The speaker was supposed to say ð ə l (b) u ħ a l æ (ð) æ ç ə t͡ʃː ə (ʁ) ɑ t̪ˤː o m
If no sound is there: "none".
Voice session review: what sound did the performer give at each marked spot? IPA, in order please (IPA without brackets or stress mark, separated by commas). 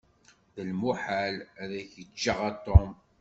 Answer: m, ð, ʁ